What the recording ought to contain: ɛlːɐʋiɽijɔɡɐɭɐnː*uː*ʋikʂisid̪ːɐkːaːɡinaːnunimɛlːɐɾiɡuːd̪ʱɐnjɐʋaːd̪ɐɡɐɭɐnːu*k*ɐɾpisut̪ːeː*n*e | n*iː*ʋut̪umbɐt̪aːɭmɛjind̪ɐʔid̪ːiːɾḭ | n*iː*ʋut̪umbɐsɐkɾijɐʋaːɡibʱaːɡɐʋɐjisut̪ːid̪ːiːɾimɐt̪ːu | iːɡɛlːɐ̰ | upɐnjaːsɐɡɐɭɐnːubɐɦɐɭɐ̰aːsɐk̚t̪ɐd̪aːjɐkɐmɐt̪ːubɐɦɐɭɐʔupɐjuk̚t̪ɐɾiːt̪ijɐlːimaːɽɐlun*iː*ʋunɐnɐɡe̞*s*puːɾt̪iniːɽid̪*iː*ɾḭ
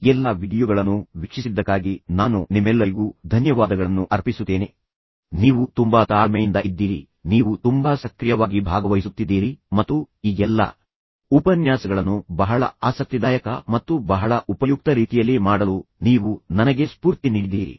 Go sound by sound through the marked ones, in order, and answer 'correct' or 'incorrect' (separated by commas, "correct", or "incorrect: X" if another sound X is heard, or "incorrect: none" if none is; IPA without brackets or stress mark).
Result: incorrect: u, incorrect: ʔ, correct, correct, correct, correct, correct, correct